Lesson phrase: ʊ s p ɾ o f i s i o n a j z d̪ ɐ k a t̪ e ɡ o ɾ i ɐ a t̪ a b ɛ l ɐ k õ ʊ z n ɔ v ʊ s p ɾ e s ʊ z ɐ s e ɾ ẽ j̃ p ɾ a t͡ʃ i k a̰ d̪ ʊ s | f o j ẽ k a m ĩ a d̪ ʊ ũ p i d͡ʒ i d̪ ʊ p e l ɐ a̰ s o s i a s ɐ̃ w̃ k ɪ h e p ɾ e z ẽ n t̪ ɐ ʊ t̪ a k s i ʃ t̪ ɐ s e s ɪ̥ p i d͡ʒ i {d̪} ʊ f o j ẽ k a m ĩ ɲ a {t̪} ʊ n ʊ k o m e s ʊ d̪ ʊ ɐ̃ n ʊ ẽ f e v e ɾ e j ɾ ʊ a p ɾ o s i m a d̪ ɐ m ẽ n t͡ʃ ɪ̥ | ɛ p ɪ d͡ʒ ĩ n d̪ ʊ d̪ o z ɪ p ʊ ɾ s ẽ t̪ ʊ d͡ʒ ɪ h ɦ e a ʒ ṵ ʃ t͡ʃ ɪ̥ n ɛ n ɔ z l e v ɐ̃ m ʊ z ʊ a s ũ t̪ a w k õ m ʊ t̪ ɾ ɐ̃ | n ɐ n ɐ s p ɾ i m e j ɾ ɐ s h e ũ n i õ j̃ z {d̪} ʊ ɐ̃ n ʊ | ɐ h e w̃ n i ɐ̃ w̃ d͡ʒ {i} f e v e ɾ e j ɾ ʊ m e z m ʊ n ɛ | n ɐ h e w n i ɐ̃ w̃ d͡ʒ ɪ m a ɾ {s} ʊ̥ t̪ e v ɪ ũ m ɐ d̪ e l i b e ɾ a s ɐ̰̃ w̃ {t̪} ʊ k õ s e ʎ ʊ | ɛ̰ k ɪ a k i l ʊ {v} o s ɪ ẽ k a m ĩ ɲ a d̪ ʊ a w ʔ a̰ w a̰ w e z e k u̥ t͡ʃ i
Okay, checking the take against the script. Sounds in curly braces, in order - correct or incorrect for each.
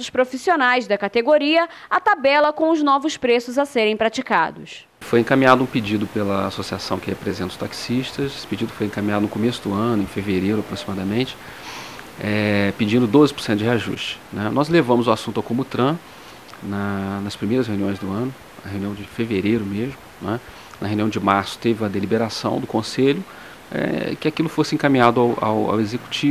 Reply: correct, incorrect: d̪, correct, incorrect: ɪ, correct, incorrect: d̪, incorrect: f

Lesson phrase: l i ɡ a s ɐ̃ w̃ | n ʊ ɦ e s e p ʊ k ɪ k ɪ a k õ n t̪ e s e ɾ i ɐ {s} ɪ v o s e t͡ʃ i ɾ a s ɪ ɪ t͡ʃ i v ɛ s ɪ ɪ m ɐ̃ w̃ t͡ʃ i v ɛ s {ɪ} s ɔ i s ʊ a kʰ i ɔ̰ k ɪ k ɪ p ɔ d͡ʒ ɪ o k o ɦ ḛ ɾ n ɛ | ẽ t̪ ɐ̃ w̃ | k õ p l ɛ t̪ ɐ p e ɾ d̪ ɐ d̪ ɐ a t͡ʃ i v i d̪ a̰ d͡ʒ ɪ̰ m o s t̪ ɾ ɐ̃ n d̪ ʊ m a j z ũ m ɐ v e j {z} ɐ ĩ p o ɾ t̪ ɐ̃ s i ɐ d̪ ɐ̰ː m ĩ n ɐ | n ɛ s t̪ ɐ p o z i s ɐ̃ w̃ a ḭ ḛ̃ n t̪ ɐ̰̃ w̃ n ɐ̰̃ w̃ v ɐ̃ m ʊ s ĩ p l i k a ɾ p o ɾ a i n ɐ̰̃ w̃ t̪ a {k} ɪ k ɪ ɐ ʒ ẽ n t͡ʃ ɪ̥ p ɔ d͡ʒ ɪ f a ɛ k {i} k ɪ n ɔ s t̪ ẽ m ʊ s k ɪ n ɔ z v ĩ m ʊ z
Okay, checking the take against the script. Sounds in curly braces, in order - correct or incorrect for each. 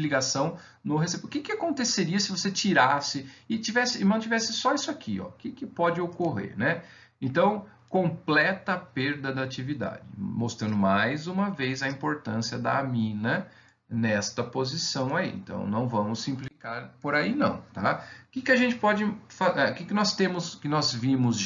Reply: correct, correct, correct, correct, incorrect: ɪ

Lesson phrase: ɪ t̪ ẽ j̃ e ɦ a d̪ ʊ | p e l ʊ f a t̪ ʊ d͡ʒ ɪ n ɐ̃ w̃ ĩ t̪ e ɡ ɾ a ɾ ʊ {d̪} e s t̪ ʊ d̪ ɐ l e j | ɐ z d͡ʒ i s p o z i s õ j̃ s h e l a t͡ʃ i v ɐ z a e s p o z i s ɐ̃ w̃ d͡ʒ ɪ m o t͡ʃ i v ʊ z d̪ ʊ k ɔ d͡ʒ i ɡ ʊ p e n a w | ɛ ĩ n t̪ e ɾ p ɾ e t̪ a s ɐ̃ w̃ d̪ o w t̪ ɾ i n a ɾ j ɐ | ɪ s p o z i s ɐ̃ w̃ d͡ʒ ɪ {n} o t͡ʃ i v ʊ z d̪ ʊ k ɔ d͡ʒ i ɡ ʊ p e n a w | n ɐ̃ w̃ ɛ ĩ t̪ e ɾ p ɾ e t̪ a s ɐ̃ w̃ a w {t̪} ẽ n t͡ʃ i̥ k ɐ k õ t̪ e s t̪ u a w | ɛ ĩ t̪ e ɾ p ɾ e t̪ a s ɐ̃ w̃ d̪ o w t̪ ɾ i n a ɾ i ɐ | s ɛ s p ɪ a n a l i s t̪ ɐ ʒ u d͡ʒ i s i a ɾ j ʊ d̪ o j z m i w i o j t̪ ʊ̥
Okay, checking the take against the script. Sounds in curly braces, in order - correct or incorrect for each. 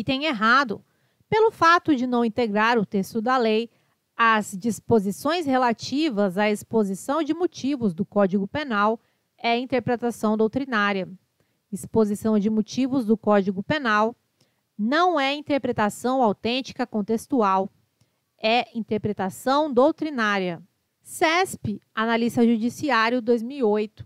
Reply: incorrect: t̪, incorrect: m, correct

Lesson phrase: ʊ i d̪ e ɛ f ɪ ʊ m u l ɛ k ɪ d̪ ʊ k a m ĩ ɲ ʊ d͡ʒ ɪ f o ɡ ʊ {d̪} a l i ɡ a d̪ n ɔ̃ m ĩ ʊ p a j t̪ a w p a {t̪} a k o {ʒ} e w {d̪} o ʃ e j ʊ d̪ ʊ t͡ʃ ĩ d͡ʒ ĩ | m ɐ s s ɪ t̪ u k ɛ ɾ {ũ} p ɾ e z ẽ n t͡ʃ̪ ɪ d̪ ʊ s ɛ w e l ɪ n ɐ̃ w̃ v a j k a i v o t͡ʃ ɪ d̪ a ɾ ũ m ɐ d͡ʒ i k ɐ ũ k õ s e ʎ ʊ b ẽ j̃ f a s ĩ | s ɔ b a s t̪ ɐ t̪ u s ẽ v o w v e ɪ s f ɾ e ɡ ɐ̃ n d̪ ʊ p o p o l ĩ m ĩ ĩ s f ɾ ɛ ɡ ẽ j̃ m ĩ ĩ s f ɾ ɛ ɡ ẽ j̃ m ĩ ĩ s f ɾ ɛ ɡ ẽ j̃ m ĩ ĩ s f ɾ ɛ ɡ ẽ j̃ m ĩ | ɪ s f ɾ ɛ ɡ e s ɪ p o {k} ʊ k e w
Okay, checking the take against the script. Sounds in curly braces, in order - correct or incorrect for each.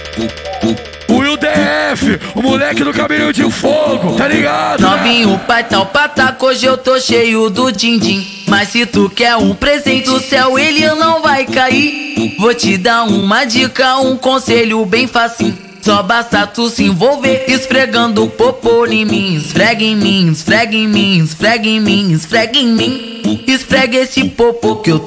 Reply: incorrect: t̪, correct, correct, incorrect: t̪, correct, incorrect: p

